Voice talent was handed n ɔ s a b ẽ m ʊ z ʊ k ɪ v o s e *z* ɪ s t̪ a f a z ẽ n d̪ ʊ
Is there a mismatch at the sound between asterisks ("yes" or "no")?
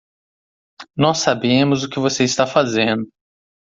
yes